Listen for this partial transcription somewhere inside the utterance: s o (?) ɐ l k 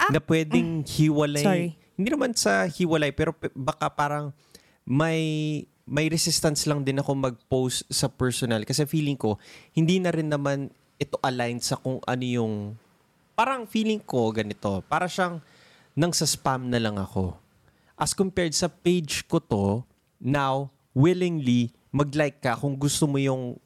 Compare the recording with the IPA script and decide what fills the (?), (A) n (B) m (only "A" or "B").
A